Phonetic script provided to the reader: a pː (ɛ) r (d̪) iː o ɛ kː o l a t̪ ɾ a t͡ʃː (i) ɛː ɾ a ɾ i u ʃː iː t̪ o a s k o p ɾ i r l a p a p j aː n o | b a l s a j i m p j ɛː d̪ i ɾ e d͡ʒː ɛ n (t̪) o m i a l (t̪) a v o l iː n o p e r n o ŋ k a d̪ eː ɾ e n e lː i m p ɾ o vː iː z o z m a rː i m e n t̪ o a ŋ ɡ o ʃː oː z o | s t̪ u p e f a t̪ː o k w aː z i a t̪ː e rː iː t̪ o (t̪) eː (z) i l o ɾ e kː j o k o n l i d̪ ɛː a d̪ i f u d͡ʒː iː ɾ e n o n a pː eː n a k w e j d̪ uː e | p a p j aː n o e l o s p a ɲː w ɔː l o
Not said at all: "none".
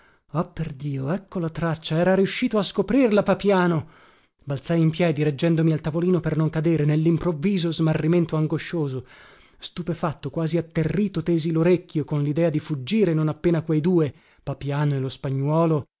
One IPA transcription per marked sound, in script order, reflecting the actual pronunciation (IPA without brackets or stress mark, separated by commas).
e, d̪, a, d̪, t̪, t̪, z